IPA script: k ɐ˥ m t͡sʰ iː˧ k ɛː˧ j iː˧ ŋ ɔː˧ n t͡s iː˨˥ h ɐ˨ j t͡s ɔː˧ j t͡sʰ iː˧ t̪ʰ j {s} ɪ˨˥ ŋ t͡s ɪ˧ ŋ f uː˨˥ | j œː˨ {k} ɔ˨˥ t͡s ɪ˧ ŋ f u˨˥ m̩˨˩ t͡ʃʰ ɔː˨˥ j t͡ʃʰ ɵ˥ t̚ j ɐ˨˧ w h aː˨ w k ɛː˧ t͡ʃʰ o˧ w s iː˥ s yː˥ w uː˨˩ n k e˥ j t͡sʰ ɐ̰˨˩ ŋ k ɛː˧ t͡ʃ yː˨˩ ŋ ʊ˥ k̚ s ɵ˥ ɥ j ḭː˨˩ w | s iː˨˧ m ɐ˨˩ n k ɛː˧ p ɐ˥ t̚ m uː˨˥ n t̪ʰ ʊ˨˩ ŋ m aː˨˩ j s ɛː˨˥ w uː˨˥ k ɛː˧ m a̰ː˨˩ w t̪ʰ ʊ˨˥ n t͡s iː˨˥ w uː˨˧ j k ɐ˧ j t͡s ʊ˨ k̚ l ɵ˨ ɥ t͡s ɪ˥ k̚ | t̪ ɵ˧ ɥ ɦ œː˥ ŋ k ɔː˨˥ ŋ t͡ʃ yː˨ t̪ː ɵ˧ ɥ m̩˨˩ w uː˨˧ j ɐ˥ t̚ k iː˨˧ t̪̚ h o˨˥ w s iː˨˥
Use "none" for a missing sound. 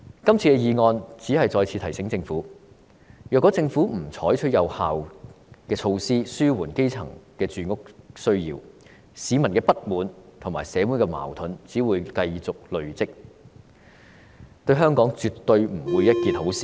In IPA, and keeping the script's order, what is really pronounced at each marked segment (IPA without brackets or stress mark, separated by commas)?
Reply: s, k